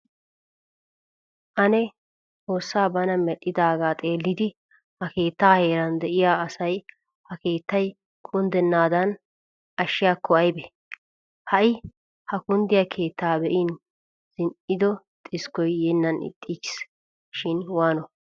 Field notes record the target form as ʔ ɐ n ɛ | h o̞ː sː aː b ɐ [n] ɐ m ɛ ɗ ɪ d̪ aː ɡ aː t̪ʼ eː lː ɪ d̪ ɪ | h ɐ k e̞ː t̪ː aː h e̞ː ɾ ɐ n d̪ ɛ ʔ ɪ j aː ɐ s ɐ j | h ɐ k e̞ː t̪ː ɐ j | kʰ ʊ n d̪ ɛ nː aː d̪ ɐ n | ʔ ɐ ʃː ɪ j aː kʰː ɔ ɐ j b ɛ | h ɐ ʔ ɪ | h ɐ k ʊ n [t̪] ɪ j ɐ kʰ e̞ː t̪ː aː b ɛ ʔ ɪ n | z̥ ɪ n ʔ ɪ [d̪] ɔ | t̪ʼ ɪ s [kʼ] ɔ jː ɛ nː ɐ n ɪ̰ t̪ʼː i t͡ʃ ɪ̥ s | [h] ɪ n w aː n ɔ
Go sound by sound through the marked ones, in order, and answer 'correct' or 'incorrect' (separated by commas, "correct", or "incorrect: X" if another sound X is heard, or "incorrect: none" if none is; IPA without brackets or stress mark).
correct, incorrect: d̪, correct, incorrect: k, incorrect: ʃ